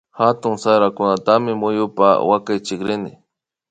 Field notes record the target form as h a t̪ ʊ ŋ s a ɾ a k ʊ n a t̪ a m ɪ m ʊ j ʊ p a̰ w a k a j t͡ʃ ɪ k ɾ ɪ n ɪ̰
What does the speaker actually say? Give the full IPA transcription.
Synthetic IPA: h a t̪ ʊ ŋ s a ɾ a k ʊ n a t̪ a m ɪ m ʊ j ʊ p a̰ w a k a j t͡ʃ ɪ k ɾ ɪ n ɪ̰